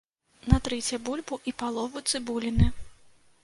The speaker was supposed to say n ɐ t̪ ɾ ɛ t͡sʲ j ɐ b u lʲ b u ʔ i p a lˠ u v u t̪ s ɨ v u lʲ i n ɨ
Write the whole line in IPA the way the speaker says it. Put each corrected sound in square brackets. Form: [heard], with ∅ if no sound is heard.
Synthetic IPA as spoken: n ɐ t̪ ɾ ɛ t͡sʲ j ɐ b u lʲ b u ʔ i p a lˠ [ɔ] v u t̪ s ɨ [b] u lʲ i n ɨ